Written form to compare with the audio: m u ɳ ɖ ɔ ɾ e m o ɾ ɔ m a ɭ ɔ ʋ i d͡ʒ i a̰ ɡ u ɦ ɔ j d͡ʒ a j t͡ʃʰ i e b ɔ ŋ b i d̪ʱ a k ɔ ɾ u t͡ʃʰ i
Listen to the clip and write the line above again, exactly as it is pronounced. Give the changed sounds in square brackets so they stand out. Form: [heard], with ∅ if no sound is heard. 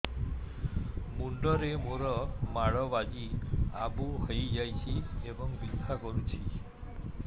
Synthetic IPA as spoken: m u ɳ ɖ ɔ ɾ e m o ɾ ɔ m a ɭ ɔ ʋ [a] d͡ʒ i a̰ [b] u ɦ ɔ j d͡ʒ a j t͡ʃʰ i e b ɔ ŋ b i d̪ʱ a k ɔ ɾ u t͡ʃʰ i

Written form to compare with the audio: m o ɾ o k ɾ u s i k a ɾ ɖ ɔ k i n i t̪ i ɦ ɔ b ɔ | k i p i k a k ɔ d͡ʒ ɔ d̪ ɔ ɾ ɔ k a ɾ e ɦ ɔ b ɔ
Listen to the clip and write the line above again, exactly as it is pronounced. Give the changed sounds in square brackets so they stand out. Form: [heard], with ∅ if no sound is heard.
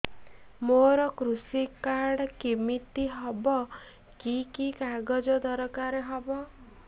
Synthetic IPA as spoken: m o ɾ [ɔ] k ɾ u s i k a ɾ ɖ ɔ k i [m] i t̪ i ɦ ɔ b ɔ | k i [k] i k a [ɡ] ɔ d͡ʒ ɔ d̪ ɔ ɾ ɔ k a ɾ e ɦ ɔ b ɔ

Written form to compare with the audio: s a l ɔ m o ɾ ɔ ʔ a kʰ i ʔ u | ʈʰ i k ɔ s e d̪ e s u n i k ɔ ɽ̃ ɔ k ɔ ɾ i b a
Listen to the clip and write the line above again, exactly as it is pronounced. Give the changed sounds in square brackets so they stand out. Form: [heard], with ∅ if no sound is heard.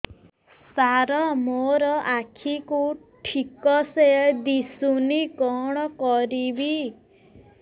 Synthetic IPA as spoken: s a [ɾ] ɔ m o ɾ ɔ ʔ a kʰ i [k] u | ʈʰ i k ɔ s e d̪ [i] s u n i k ɔ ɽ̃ ɔ k ɔ ɾ i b [i]

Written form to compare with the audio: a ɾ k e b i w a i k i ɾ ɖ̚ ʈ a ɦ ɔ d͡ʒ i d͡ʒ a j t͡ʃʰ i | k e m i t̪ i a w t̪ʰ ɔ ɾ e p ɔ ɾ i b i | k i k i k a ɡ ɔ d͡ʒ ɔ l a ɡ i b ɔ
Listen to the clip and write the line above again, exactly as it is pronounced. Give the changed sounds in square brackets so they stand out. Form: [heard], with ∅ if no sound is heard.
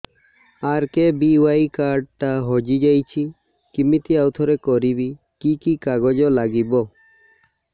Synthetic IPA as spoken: a ɾ k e b i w a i k [a] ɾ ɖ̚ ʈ a ɦ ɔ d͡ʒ i d͡ʒ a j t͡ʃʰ i | k [i] m i t̪ i a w t̪ʰ ɔ ɾ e [k] ɔ ɾ i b i | k i k i k a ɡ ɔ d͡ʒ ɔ l a ɡ i b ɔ

